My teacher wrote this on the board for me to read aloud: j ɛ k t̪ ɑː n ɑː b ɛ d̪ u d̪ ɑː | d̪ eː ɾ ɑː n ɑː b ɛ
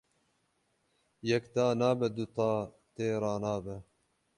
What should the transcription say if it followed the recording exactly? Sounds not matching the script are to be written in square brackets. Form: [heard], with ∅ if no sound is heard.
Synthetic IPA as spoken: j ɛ k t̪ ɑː n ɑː b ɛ d̪ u [t̪] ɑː | [t̪] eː ɾ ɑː n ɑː b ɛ